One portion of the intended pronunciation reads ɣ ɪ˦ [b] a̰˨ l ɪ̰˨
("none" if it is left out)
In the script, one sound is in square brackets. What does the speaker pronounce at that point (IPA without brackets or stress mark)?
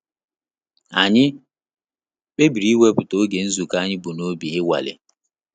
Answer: w